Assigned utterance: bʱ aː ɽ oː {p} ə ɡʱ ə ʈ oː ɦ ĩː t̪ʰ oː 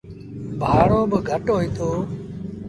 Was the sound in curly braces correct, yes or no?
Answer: no